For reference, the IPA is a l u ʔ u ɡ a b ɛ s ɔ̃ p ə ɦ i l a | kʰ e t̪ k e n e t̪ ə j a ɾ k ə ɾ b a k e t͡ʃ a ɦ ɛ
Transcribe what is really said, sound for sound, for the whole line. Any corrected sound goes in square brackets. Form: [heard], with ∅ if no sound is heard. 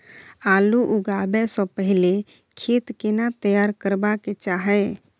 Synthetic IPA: a l u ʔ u ɡ a b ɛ s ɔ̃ p ə ɦ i l [e] | kʰ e t̪ k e n [a] t̪ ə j a ɾ k ə ɾ b a k e t͡ʃ a ɦ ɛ